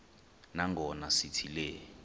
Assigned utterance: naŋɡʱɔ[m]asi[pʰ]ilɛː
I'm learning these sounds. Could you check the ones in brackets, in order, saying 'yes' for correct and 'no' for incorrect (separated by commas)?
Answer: no, no